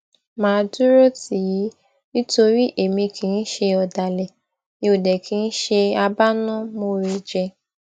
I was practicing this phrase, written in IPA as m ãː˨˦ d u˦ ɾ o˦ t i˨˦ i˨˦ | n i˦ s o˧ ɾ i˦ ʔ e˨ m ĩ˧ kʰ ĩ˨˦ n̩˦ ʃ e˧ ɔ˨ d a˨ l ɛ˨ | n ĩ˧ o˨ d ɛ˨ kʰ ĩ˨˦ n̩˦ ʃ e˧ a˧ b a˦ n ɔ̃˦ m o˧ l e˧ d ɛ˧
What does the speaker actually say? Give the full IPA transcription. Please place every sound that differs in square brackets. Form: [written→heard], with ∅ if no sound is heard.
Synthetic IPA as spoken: m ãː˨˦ d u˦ ɾ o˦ t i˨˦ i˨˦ | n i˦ [s→t] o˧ ɾ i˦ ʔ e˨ m ĩ˧ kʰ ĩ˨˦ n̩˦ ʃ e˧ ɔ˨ d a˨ l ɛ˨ | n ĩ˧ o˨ d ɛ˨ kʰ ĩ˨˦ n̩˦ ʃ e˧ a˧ b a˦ n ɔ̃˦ m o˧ [l→ɾ] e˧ [d→d͡ʒ] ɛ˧